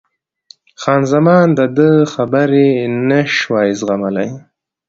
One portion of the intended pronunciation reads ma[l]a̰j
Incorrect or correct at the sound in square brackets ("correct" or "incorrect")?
correct